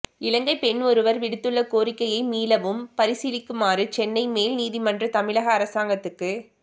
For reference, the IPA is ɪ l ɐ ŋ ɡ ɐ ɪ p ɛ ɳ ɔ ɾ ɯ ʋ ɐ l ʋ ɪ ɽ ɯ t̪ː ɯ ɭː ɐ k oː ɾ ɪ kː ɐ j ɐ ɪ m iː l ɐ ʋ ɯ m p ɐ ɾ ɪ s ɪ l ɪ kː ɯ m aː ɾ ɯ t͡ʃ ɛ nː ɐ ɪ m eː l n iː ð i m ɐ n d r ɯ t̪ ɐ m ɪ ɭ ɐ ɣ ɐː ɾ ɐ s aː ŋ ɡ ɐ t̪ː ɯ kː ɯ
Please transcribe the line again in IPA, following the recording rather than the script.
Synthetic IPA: ɪ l ɐ ŋ ɡ ɐ ɪ p ɛ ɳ ɔ ɾ ɯ ʋ ɐ ɾ ʋ ɪ ɽ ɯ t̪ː ɯ ɭː ɐ k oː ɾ ɪ kː ɐ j ɐ ɪ m iː l ɐ ʋ ɯ m p ɐ ɾ ɪ s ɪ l ɪ kː ɯ m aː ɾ ɯ t͡ʃ ɛ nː ɐ ɪ m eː l n iː ð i m ɐ n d r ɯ t̪ ɐ m ɪ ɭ ɐ ɣ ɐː ɾ ɐ s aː ŋ ɡ ɐ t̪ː ɯ kː ɯ